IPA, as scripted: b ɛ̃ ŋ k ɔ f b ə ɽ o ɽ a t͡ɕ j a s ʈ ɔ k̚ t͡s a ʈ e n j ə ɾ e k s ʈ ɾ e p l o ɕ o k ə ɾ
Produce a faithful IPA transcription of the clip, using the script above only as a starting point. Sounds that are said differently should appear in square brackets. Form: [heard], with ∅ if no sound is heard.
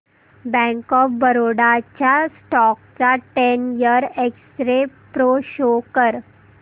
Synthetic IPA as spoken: b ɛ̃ ŋ k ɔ f b ə [ɾ] o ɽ a t͡ɕ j a s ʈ ɔ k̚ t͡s a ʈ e n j ə ɾ e k s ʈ ɾ e p [ɾ] o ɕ o k ə ɾ